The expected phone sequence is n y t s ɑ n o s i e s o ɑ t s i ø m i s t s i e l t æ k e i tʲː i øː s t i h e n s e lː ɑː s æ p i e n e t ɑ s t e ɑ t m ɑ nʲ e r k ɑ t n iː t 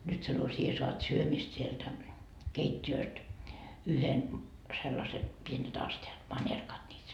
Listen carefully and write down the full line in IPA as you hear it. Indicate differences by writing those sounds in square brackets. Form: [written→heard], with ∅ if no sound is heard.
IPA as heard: n y t s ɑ n o s i e s o ɑ t s [i→y] ø m i s t s i e l t æ k e i tʲː i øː s t [i→y] h e n s e lː [ɑː→ɑ] s [æ→e] p i e n e t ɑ s t e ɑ t m ɑ nʲ e r k ɑ t n iː t